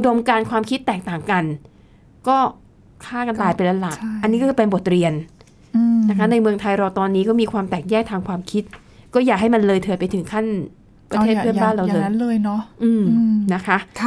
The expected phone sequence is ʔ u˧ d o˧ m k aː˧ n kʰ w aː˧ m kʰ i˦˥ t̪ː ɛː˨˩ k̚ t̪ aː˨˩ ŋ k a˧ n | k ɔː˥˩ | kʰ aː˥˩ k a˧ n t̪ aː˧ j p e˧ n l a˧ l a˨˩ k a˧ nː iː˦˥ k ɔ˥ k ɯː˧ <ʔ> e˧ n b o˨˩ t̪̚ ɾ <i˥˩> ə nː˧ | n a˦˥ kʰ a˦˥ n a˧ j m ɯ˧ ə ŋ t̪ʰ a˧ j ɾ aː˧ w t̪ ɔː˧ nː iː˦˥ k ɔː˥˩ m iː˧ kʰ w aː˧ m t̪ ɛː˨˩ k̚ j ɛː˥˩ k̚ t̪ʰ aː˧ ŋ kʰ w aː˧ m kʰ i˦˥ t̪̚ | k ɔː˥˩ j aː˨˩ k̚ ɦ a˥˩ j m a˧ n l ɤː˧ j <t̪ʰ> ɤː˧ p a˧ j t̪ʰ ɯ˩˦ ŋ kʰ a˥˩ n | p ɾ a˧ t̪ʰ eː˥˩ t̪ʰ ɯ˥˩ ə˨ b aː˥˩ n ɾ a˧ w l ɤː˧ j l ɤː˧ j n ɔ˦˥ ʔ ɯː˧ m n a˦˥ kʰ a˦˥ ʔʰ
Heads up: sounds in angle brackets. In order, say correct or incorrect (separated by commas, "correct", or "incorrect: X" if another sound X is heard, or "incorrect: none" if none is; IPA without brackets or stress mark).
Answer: incorrect: p, incorrect: i˧, correct